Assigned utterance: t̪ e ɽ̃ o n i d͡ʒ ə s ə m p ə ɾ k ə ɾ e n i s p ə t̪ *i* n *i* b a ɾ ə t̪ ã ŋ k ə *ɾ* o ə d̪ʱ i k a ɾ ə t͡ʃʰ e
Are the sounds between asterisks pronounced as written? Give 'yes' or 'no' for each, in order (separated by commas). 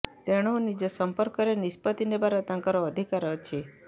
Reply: yes, no, yes